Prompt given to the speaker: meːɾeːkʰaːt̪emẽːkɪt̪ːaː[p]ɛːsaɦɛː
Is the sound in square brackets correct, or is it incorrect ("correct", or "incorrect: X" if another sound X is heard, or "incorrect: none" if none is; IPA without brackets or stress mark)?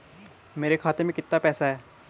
correct